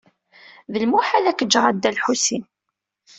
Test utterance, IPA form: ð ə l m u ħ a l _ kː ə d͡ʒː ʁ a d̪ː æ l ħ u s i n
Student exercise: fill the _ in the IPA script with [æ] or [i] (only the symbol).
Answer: æ